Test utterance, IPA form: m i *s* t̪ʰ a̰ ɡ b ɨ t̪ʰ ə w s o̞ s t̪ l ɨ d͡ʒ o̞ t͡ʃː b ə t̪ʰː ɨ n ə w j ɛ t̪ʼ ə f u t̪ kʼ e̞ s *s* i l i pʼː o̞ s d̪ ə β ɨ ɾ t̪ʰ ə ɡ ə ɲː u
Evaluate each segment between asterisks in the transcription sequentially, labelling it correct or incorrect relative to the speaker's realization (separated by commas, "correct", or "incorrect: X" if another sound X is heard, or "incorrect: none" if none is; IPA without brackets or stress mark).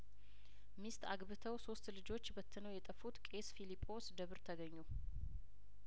correct, incorrect: f